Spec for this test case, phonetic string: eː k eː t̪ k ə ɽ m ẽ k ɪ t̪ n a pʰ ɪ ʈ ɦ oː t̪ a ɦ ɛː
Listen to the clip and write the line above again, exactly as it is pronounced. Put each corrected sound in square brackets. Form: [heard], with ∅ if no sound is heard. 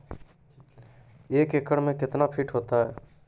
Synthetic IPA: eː k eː [∅] k ə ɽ m ẽ k ɪ t̪ n a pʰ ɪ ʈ ɦ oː t̪ a ɦ ɛː